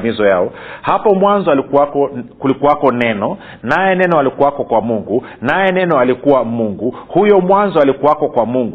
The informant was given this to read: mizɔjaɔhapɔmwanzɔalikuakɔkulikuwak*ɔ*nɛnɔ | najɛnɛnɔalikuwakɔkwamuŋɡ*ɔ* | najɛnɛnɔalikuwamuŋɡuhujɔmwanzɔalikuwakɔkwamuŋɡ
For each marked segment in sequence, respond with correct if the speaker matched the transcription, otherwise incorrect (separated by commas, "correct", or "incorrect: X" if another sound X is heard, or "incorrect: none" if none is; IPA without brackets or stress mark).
correct, incorrect: u